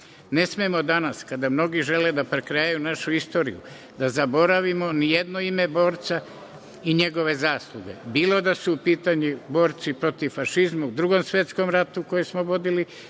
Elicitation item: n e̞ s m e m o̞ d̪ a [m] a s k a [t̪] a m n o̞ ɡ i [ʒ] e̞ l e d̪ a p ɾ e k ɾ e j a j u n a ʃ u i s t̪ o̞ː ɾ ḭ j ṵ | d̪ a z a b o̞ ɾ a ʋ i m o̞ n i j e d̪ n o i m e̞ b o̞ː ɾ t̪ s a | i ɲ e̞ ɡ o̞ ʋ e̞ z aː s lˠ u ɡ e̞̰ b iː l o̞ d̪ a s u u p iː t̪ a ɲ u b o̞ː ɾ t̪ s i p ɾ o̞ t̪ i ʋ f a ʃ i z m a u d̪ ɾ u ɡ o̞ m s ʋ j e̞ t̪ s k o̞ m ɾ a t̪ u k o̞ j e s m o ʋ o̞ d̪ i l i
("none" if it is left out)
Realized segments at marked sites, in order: n, d̪, ʒ

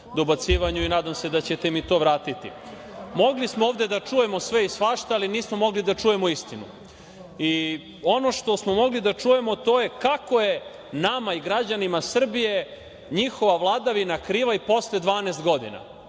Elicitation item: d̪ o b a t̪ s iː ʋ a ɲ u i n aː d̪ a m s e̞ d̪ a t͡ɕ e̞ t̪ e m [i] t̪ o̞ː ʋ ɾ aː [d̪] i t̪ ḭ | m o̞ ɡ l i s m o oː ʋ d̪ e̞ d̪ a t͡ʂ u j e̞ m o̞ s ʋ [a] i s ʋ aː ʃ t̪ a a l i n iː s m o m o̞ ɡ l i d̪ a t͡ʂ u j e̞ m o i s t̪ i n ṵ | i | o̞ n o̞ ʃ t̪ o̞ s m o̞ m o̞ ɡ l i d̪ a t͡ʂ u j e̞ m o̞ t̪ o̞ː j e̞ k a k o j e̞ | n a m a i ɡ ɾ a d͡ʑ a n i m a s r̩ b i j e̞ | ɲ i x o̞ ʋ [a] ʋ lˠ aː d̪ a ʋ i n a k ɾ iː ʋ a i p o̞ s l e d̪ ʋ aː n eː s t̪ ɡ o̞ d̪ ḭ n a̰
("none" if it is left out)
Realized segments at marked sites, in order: i, t̪, e, a

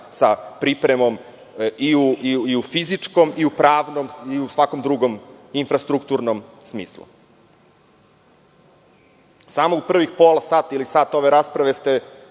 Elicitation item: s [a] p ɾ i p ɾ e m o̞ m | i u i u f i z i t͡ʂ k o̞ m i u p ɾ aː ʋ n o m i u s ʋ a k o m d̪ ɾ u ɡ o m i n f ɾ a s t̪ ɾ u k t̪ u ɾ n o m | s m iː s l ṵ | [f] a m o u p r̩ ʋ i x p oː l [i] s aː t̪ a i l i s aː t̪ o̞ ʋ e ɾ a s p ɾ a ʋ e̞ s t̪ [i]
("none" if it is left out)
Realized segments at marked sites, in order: a, s, a, e

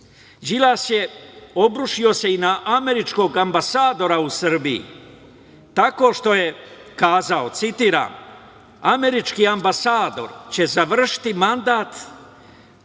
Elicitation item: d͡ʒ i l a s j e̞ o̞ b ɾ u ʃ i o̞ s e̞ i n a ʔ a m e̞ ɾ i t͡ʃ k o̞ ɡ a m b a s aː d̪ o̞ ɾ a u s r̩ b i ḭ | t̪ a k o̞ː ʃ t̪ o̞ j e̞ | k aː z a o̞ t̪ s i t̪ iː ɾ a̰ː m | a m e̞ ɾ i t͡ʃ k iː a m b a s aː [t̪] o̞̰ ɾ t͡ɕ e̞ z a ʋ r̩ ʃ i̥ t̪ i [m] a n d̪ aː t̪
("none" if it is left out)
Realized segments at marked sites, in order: d̪, m

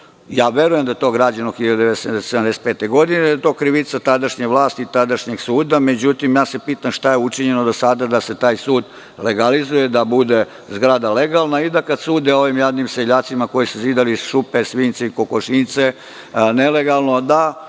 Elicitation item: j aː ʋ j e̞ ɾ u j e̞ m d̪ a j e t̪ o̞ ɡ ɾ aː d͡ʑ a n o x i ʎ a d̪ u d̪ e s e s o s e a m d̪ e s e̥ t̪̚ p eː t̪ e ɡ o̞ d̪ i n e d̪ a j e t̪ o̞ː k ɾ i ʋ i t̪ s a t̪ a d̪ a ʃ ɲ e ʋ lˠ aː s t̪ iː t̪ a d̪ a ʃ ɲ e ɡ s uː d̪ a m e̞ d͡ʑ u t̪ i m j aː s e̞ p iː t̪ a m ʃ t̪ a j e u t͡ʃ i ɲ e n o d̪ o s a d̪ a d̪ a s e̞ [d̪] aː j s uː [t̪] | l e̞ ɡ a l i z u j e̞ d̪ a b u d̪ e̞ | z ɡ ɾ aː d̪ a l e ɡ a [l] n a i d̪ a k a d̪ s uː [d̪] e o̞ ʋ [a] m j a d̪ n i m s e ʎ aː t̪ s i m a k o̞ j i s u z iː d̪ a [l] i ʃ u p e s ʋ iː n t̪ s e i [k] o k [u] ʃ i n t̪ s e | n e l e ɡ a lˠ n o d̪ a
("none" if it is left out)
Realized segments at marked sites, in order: t̪, d̪, l, d̪, i, l, k, o

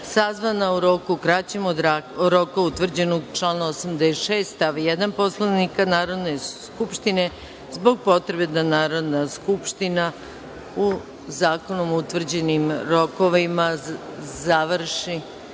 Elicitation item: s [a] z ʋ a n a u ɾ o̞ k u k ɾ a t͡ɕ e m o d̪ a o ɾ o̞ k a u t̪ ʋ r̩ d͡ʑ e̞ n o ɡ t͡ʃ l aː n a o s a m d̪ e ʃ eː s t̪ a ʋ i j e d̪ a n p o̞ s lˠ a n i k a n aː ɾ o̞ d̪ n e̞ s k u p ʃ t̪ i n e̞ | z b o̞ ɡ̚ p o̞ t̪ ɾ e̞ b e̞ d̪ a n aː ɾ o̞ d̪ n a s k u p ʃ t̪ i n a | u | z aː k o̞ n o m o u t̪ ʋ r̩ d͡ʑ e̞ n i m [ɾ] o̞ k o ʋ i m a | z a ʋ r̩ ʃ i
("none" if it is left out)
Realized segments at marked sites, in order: a, ɾ

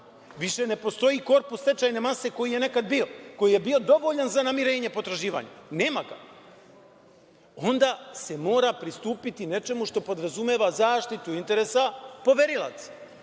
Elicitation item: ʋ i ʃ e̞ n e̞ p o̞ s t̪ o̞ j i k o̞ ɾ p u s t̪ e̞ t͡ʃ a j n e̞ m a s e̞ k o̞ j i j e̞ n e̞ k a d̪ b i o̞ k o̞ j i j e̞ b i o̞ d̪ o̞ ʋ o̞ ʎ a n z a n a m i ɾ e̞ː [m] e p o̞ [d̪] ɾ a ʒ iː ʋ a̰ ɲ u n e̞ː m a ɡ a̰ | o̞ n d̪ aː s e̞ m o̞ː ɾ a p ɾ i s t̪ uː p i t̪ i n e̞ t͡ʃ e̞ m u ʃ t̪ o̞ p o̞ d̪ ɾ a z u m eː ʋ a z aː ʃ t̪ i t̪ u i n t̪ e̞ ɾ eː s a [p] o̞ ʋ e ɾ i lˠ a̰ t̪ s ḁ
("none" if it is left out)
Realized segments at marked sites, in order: ɲ, t̪, p

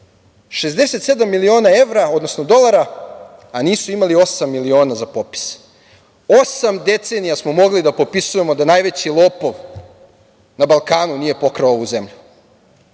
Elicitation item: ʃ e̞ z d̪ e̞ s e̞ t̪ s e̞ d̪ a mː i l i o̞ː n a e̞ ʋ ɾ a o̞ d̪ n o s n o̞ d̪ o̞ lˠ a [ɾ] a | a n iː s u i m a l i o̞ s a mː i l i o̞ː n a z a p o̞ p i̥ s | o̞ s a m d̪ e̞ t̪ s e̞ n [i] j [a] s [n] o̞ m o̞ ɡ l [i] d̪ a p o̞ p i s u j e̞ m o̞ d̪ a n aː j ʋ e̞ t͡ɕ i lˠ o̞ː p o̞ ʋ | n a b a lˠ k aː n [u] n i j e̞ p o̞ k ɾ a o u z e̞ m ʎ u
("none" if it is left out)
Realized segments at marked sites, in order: ɾ, i, a, m, i, u

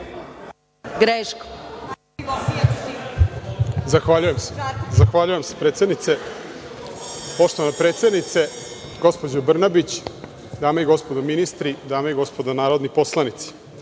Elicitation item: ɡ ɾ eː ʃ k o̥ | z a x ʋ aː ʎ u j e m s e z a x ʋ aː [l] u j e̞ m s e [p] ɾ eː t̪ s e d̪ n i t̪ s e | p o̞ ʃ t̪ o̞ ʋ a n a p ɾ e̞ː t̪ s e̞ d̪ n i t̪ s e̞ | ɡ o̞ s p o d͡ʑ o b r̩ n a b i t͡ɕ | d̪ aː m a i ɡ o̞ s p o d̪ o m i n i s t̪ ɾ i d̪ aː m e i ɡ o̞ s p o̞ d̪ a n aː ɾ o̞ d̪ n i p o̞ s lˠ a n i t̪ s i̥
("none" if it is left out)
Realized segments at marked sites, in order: ʎ, p

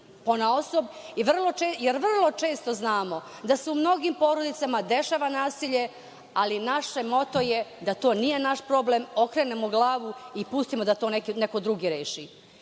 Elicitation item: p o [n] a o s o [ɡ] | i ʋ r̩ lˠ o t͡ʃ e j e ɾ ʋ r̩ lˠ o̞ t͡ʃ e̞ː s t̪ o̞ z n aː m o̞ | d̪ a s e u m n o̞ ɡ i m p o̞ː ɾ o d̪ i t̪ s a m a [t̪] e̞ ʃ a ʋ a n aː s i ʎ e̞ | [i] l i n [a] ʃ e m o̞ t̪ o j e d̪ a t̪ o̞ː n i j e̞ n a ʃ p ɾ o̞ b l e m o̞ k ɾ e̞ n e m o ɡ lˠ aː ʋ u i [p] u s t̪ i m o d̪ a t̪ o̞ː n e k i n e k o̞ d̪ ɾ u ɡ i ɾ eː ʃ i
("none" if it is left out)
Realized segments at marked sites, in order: n, b, d̪, a, a, p

